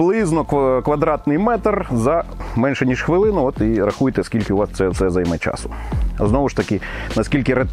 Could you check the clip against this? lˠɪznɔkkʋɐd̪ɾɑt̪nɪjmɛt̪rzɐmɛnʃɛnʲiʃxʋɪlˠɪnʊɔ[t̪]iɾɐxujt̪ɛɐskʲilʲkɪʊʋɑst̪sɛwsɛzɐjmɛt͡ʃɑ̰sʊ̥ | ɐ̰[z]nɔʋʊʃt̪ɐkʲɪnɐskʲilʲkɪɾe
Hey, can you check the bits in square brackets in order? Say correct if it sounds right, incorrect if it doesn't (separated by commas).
correct, correct